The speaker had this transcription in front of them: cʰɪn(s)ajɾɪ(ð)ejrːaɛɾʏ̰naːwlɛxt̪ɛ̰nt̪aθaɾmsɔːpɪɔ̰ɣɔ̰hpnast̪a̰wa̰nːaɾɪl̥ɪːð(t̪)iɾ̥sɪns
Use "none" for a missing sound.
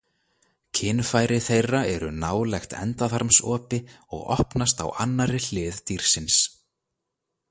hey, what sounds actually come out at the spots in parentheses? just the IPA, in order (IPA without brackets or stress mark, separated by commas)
f, θ, t̪